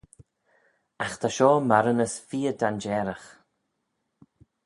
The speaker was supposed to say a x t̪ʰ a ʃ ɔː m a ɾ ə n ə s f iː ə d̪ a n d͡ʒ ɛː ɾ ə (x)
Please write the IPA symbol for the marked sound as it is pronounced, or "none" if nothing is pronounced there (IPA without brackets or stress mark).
x